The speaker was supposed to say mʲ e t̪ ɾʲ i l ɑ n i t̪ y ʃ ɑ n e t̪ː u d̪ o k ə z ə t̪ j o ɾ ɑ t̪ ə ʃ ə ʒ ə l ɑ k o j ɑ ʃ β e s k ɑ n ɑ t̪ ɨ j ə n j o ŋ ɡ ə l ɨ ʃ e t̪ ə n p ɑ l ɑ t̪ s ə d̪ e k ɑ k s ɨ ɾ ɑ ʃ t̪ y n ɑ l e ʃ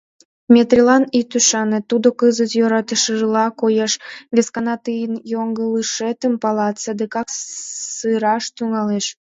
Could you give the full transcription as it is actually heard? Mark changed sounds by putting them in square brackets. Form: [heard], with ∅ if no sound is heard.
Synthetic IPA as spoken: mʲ e t̪ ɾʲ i l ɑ n i t̪ y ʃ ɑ n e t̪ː u d̪ o k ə z ə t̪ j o ɾ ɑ t̪ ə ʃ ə ʒ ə l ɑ k o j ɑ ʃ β e s k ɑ n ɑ t̪ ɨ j ə n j o ŋ ɡ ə l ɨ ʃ e t̪ ə [m] p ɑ l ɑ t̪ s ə d̪ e k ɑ k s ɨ ɾ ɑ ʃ t̪ y [ŋ] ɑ l e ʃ